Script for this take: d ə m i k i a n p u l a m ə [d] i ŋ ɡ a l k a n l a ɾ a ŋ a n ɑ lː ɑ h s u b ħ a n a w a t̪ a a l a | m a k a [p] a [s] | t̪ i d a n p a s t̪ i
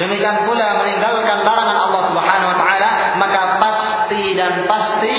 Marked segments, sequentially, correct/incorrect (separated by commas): incorrect, correct, correct